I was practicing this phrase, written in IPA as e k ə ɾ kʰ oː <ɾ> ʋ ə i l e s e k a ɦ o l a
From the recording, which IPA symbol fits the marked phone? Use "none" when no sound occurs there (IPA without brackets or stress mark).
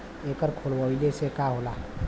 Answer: l